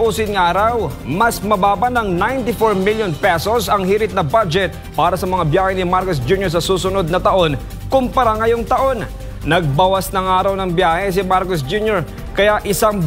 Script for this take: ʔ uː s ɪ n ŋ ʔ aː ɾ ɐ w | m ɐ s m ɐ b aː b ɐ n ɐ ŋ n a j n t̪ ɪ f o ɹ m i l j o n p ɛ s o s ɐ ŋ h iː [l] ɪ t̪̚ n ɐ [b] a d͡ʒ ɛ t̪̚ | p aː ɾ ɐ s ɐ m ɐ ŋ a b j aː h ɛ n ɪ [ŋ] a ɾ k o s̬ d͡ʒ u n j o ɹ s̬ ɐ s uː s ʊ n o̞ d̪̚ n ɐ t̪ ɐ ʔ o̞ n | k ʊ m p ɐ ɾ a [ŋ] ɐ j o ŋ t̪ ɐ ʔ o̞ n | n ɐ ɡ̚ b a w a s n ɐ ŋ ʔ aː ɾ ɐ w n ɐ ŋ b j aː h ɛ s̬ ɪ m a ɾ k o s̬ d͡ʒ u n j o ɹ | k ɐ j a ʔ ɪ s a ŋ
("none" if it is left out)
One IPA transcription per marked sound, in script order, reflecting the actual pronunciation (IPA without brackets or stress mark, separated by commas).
ɾ, b, m, ŋ